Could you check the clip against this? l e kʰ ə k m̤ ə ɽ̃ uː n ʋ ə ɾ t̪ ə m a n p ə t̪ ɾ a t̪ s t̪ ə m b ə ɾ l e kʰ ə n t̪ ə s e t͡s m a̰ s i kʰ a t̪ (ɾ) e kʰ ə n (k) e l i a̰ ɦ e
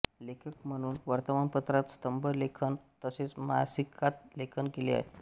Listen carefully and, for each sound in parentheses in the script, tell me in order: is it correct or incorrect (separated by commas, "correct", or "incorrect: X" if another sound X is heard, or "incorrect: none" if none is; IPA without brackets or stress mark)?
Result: incorrect: l, correct